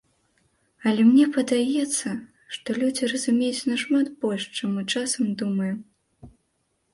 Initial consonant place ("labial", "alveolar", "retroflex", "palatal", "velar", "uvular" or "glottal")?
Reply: alveolar